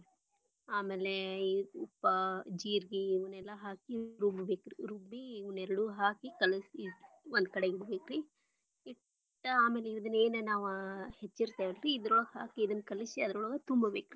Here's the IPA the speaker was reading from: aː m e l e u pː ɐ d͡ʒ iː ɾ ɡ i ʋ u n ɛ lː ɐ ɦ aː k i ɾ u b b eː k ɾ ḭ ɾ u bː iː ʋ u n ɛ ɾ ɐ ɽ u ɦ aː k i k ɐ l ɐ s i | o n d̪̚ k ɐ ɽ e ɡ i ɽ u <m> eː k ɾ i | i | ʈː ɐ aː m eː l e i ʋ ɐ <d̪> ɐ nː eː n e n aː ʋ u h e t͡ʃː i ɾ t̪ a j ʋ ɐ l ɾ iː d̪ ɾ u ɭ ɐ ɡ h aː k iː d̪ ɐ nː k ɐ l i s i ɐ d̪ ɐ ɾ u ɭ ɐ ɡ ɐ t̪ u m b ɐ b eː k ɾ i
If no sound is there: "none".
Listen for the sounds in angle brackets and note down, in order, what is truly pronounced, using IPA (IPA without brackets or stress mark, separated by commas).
b, d̪